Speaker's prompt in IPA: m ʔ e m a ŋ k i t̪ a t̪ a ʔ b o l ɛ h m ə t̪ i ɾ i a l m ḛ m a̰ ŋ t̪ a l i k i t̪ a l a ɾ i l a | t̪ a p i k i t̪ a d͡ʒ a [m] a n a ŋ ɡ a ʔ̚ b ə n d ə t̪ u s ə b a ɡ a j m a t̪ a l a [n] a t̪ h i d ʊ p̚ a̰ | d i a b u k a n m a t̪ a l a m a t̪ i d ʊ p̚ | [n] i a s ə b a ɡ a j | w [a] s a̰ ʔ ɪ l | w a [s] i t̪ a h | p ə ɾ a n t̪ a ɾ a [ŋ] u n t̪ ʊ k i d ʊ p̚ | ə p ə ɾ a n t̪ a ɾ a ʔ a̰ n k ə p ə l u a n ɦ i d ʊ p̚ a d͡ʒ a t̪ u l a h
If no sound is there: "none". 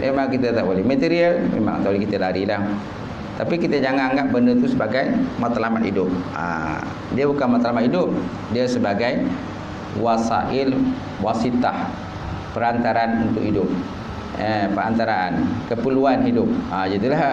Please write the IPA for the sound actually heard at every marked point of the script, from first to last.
ŋ, m, d, a, s, n

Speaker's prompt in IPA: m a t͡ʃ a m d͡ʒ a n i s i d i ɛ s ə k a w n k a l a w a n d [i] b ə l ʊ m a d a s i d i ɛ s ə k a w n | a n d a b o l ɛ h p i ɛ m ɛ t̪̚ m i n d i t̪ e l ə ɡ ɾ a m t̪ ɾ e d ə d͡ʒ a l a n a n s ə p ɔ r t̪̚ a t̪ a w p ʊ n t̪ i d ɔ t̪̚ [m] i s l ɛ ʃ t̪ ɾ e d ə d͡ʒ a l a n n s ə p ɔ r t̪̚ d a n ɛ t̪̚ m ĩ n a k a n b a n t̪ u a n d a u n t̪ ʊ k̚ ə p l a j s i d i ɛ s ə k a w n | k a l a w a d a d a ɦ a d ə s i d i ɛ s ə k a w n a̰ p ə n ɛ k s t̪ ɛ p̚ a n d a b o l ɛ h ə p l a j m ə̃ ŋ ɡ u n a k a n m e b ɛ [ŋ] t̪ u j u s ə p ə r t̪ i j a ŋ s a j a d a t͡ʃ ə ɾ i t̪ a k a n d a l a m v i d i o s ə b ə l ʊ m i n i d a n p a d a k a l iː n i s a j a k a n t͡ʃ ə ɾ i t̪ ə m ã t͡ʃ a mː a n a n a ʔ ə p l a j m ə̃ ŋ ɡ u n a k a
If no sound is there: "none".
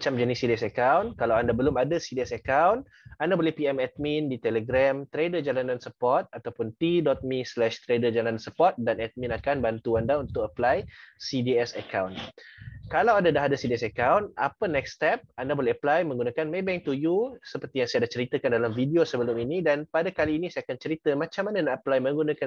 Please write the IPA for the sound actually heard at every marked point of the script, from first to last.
a, m, ŋ

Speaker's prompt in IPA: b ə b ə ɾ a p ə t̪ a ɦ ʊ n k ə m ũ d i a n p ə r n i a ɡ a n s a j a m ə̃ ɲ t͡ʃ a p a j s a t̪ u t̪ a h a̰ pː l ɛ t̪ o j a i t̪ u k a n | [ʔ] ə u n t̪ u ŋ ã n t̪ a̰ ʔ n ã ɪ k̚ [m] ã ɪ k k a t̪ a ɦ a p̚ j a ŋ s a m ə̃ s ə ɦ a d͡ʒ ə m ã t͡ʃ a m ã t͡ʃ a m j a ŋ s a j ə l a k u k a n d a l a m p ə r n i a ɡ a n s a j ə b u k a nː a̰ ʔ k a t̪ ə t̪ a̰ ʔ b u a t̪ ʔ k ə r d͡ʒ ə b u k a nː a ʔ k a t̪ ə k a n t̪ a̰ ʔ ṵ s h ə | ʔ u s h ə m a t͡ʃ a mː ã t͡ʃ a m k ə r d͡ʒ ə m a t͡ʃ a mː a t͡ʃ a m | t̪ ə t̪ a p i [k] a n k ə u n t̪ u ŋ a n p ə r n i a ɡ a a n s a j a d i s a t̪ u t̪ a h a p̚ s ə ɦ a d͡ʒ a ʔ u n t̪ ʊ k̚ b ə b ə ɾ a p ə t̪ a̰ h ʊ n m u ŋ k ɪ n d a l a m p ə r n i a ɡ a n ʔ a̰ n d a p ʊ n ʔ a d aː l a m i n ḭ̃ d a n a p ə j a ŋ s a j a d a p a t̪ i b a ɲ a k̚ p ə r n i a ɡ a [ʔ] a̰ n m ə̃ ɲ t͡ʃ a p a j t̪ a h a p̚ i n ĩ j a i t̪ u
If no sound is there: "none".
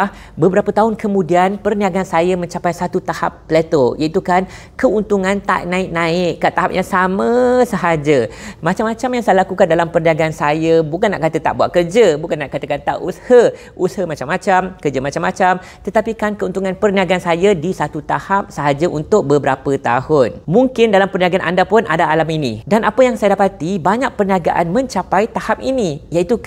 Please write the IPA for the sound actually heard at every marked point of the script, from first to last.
k, n, k, ʔ

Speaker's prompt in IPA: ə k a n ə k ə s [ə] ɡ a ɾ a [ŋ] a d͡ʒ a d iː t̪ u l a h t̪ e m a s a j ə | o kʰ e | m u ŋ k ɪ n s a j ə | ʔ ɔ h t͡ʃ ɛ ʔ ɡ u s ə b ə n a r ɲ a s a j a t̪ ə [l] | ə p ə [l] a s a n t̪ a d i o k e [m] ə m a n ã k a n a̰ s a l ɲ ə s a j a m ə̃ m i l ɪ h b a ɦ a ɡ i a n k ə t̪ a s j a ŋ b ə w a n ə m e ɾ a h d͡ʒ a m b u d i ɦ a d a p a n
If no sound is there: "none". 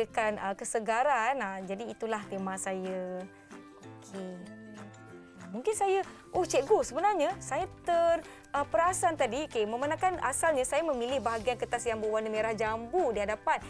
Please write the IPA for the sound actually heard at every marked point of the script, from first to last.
ə, n, r, ɾ, m

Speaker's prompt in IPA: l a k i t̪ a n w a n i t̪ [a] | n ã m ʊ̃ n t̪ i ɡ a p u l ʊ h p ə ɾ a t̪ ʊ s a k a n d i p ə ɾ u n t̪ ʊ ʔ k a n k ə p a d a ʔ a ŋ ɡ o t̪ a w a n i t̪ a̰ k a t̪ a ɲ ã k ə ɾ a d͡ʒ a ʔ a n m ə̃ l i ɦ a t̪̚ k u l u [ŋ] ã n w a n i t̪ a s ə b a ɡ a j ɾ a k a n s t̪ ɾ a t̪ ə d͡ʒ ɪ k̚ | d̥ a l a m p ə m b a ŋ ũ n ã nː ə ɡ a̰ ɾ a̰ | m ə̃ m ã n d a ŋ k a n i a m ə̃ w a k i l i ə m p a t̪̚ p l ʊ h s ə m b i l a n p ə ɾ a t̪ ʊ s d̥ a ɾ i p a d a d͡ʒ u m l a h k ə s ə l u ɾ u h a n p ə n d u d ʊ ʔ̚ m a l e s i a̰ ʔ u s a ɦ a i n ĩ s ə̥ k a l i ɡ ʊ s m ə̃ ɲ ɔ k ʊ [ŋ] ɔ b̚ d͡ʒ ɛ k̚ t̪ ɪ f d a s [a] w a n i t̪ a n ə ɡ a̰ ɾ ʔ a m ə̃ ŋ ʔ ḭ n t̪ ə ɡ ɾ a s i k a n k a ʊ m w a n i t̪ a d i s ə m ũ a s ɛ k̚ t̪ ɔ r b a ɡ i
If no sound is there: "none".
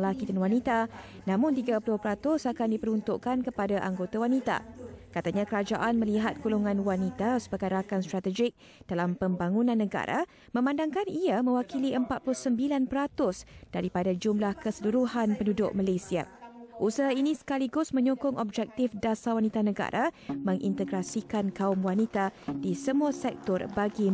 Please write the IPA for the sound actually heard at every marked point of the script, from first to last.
a, ŋ, ŋ, a

